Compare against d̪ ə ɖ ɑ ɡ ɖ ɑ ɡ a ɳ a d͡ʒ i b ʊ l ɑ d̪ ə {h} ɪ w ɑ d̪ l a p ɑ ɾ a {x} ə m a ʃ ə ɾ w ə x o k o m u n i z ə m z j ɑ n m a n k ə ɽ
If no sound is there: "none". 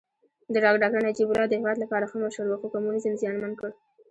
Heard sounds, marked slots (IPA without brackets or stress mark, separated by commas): h, x